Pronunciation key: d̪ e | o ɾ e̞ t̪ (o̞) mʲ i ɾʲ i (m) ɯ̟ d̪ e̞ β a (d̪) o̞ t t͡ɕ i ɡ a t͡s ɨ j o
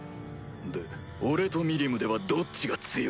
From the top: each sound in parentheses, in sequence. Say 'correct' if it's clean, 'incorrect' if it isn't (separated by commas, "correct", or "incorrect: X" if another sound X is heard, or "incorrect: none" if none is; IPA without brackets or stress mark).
correct, correct, correct